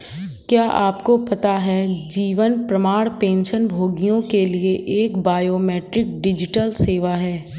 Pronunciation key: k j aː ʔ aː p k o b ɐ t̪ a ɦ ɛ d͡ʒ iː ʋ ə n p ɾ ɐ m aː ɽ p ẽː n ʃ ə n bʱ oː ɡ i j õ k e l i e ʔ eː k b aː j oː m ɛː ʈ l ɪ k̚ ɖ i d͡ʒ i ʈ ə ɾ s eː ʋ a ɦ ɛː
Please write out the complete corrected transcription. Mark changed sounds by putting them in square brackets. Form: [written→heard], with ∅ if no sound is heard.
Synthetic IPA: k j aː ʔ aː p k o [b→p] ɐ t̪ a ɦ ɛ d͡ʒ iː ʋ ə n p ɾ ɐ m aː ɽ p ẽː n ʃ ə n bʱ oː ɡ i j õ k e l i e ʔ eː k b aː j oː m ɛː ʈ [l→ɾ] ɪ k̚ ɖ [i→ɪ] d͡ʒ [i→ɪ] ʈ ə [ɾ→l] s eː ʋ a ɦ ɛː